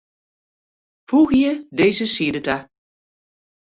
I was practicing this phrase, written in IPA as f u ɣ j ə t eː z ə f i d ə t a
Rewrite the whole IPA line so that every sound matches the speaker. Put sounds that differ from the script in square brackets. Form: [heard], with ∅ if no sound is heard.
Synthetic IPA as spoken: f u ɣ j ə [d] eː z ə [s] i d ə t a